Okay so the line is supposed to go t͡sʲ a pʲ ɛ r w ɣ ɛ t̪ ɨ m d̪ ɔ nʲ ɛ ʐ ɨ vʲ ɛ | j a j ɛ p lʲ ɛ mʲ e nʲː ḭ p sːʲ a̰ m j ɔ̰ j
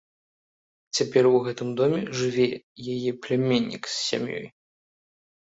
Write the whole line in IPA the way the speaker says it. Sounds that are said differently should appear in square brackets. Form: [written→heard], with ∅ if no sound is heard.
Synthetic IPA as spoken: t͡sʲ a pʲ ɛ r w ɣ ɛ t̪ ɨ m d̪ ɔ [nʲ→mʲ] ɛ ʐ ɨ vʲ ɛ | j a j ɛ p lʲ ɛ mʲ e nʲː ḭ [p→k] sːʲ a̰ m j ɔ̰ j

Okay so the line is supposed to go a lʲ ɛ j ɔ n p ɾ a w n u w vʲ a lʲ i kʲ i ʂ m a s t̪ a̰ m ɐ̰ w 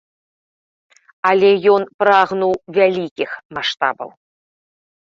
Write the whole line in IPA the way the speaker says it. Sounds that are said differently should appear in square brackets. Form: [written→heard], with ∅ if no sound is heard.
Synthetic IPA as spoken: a lʲ ɛ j ɔ n p ɾ a [w→ɣ] n u w vʲ a lʲ i kʲ i [ʂ→x] m a [s→ʂ] t̪ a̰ [m→b] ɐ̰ w

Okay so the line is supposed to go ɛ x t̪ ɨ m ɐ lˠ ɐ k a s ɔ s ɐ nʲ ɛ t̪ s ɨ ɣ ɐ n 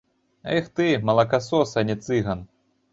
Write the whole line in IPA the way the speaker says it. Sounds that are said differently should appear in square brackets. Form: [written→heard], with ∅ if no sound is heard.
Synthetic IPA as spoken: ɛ x t̪ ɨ m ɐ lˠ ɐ k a s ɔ s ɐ nʲ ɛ t̪ s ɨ ɣ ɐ n

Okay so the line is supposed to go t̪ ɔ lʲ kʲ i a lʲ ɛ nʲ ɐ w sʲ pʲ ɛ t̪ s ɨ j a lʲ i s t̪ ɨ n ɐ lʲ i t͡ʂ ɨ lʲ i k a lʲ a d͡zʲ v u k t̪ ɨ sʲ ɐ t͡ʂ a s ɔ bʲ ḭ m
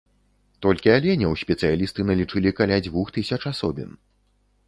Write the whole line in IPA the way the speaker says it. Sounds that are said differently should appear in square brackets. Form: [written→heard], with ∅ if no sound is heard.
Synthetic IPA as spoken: t̪ ɔ lʲ kʲ i a lʲ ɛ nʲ ɐ w sʲ pʲ ɛ t̪ s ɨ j a lʲ i s t̪ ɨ n ɐ lʲ i t͡ʂ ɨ lʲ i k a lʲ a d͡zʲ v u [k→x] t̪ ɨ sʲ ɐ t͡ʂ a s ɔ bʲ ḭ [m→n]

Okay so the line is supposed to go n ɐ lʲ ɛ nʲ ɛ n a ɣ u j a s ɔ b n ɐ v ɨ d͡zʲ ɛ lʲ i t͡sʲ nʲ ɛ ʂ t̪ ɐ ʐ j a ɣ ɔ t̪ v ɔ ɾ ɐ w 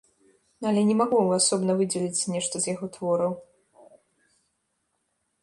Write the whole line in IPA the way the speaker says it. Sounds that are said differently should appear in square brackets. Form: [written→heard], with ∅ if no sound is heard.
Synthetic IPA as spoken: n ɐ lʲ ɛ nʲ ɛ [n→m] a ɣ u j a s ɔ b n ɐ v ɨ d͡zʲ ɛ lʲ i t͡sʲ nʲ ɛ ʂ t̪ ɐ [ʐ→z] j a ɣ ɔ t̪ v ɔ ɾ ɐ w

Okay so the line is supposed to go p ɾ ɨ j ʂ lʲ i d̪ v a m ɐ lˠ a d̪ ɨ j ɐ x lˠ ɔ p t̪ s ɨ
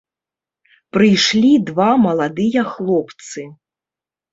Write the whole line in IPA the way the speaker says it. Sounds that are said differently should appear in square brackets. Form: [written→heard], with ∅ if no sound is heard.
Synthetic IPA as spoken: p ɾ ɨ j ʂ lʲ i d̪ v a m ɐ lˠ a d̪ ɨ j ɐ x lˠ ɔ p t̪ s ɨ

